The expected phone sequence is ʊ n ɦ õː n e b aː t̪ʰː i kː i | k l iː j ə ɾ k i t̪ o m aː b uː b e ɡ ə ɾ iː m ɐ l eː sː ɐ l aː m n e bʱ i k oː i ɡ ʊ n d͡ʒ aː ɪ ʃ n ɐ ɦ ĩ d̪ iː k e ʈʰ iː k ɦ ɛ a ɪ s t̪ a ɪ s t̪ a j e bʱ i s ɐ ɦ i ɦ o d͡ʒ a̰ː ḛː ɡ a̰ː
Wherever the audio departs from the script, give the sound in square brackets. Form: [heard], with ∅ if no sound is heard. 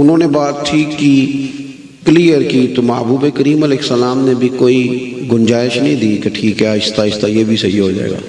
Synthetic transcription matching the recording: ʊ n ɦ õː n e b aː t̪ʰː i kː i | k l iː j ə ɾ k i t̪ o m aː b uː b e [k] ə ɾ iː m ɐ l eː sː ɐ l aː m n e bʱ i k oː i ɡ ʊ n d͡ʒ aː ɪ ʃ n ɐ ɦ ĩ d̪ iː k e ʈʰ iː k ɦ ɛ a ɪ s t̪ a ɪ s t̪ a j e bʱ i s ɐ ɦ i ɦ o d͡ʒ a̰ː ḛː ɡ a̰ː